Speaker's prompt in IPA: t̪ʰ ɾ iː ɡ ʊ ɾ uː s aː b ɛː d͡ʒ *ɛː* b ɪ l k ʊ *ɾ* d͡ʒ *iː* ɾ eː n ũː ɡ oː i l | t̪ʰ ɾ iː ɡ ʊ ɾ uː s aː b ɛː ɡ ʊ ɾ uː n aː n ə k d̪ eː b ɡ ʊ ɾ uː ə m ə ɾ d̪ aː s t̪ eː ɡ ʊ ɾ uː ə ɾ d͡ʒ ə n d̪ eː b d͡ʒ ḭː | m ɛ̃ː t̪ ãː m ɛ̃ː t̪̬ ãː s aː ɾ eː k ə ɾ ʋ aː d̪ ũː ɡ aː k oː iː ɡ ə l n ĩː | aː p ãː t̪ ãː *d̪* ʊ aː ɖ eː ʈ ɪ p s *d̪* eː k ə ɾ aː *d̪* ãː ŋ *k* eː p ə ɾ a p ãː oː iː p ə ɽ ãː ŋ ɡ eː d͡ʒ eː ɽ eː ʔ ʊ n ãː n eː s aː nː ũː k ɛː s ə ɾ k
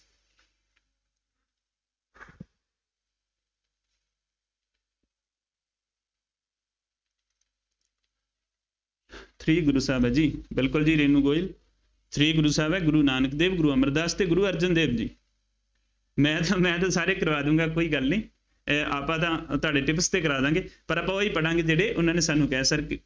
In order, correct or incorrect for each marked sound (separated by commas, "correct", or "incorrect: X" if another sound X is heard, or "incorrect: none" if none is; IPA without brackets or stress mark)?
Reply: incorrect: iː, incorrect: l, correct, incorrect: t̪, incorrect: t̪, correct, incorrect: ɡ